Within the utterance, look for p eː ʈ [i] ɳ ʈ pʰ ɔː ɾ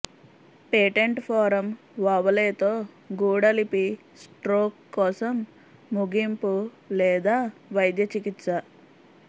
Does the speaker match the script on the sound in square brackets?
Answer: no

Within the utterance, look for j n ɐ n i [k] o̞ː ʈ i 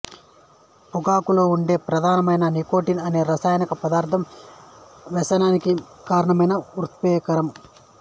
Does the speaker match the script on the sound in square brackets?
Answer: yes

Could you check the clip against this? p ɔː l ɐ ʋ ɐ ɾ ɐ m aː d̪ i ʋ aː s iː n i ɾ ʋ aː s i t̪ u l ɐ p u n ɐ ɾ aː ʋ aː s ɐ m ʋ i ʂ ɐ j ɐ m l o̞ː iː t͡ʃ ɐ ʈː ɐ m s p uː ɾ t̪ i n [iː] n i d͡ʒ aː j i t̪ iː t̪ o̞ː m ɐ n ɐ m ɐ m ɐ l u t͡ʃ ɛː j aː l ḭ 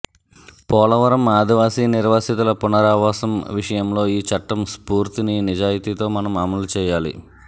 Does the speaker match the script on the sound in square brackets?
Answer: no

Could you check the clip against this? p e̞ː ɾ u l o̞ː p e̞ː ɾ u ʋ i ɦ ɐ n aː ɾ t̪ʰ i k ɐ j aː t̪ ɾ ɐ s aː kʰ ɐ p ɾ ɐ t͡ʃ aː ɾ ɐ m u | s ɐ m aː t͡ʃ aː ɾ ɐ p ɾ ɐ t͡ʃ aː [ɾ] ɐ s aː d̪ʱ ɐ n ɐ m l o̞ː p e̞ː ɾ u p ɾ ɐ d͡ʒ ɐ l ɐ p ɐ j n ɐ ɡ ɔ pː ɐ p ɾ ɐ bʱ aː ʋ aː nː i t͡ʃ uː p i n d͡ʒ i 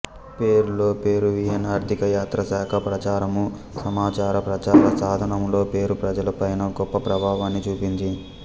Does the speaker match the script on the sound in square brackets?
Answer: yes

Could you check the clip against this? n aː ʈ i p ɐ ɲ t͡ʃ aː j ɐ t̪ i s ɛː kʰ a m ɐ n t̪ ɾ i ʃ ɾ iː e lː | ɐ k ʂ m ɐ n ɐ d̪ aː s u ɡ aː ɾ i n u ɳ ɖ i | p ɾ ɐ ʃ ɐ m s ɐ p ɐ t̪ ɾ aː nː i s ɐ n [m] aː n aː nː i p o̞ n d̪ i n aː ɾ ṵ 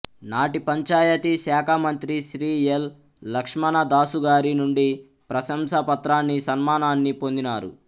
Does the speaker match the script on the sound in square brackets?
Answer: yes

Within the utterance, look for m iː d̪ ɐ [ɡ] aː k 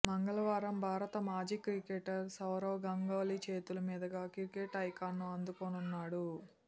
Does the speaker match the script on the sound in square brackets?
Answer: yes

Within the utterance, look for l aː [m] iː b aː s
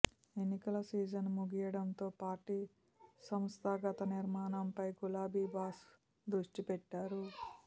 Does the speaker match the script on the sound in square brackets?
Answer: no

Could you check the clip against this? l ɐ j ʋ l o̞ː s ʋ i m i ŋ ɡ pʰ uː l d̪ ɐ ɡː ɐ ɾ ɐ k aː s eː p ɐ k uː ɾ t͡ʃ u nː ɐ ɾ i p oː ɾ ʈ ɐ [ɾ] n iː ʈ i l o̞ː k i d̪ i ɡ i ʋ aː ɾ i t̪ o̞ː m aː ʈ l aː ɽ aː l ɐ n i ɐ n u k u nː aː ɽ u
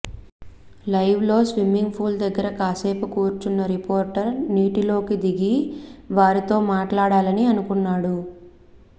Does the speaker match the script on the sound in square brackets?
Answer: yes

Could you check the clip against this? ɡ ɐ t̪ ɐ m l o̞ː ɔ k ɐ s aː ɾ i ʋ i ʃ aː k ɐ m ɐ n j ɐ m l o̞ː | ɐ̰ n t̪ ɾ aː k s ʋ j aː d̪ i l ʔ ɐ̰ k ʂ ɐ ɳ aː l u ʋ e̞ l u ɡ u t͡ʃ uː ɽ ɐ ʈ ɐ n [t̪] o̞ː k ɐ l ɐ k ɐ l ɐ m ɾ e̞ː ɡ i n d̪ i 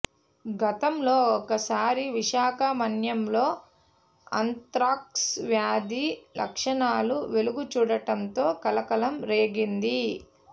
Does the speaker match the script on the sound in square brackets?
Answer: yes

